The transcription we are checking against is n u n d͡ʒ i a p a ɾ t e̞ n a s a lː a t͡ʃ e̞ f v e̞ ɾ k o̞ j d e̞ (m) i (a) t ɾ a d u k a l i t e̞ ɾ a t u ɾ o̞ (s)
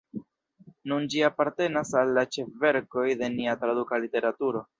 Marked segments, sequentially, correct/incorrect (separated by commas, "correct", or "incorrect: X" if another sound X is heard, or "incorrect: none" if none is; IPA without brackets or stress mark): incorrect: n, correct, incorrect: none